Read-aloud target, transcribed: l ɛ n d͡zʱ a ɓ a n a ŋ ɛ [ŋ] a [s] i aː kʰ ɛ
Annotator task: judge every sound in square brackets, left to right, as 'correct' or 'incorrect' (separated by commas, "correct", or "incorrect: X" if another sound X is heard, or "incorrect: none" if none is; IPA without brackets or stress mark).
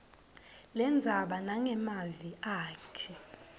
incorrect: m, incorrect: z